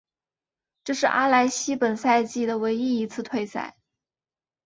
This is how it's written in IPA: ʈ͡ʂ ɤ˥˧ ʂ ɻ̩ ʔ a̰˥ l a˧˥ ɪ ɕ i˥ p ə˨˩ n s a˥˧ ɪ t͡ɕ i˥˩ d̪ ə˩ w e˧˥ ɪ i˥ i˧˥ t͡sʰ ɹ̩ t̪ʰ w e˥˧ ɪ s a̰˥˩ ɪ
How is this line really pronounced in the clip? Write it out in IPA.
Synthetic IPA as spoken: ʈ͡ʂ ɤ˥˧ ʂ ɻ̩ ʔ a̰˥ l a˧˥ ɪ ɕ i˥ p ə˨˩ n s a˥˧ ɪ t͡ɕ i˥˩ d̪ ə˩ w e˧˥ ɪ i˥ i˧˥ t͡sʰ ɹ̩ t̪ʰ w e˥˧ ɪ s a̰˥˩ ɪ